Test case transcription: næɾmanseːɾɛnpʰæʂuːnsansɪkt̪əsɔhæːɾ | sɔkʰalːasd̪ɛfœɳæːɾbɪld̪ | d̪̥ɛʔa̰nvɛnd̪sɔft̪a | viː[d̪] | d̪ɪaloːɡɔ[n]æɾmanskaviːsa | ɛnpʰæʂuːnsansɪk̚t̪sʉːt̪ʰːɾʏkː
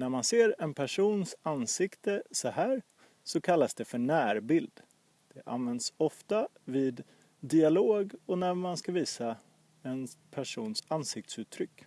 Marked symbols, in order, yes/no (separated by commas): yes, yes